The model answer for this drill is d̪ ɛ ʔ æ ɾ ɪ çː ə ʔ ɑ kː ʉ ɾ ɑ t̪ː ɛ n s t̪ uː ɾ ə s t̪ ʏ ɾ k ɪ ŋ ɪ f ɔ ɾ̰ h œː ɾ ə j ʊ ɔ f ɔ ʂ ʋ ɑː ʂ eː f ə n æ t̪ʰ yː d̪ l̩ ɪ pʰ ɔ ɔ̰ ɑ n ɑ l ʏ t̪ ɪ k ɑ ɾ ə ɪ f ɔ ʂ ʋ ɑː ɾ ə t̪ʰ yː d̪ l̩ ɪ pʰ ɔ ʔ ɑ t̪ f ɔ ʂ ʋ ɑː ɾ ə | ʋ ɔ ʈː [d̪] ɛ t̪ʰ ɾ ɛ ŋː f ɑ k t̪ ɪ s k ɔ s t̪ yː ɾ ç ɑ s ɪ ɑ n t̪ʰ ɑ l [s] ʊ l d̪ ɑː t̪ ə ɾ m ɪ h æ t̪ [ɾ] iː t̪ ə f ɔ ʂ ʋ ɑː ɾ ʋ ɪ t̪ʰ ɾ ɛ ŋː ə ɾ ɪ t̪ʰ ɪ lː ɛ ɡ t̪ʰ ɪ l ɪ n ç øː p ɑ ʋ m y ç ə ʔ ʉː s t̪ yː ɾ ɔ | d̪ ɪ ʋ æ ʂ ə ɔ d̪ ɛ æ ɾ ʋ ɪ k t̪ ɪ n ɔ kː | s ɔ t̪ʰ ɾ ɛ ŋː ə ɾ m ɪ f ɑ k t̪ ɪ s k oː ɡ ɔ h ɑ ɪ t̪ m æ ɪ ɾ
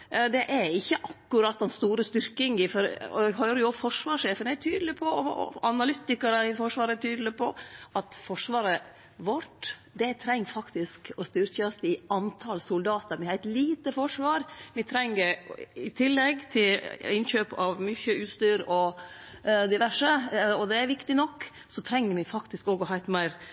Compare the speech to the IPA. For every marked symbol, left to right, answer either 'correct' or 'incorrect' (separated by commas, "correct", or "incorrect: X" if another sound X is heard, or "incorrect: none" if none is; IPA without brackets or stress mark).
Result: correct, correct, incorrect: l